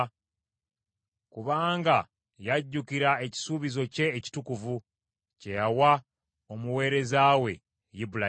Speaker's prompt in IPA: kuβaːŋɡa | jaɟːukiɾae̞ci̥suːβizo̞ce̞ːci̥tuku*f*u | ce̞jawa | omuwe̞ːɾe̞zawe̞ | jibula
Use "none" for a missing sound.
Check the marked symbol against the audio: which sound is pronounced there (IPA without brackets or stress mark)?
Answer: v